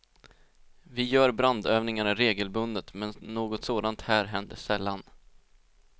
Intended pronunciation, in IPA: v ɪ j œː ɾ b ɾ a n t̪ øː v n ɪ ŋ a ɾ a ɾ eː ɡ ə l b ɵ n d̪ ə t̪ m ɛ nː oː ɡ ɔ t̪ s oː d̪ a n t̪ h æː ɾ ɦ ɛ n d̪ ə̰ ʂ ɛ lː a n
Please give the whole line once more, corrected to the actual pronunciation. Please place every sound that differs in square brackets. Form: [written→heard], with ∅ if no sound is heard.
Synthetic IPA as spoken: v ɪ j œː ɾ b ɾ a n [t̪→d̪] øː v n ɪ ŋ a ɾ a ɾ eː ɡ ə l b ɵ n d̪ ə t̪ m ɛ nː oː ɡ ɔ t̪ s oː d̪ a n t̪ h æː ɾ ɦ ɛ n d̪ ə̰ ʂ ɛ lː a n